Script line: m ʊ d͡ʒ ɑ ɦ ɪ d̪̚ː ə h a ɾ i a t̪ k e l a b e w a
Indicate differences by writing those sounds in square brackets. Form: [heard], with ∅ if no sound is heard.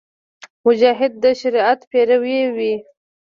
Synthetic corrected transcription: m ʊ d͡ʒ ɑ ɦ ɪ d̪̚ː ə [ʃ] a ɾ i a t̪ [p] e [ɾ] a [w] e w [i]